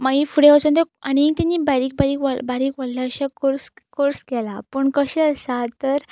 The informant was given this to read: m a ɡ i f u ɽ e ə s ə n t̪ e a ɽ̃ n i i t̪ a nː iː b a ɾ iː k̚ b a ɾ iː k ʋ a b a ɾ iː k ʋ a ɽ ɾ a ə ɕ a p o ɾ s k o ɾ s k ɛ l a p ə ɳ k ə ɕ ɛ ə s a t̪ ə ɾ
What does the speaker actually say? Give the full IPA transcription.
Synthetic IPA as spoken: m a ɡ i f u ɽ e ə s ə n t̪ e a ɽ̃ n i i t̪ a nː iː b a ɾ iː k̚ b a ɾ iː k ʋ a b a ɾ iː k ʋ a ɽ l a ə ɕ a k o ɾ s k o ɾ s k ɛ l a p ə ɳ k ə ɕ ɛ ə s a t̪ ə ɾ